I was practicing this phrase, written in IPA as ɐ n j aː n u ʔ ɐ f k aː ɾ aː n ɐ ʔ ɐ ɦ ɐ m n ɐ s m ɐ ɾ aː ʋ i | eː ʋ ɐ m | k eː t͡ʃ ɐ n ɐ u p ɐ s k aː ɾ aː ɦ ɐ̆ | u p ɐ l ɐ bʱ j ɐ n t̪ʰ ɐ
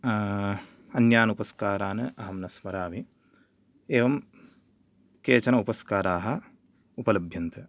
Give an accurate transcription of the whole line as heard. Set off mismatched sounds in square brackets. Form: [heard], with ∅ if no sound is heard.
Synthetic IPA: ɐ n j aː n u [p] ɐ [s] k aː ɾ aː n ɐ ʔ ɐ ɦ ɐ m n ɐ s m ɐ ɾ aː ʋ i | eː ʋ ɐ m | k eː t͡ʃ ɐ n ɐ u p ɐ s k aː ɾ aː ɦ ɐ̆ | u p ɐ l ɐ bʱ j ɐ n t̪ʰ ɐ